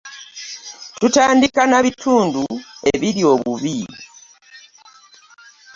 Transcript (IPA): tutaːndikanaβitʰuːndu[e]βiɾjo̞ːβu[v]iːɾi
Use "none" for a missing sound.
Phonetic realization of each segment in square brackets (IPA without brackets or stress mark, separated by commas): e, β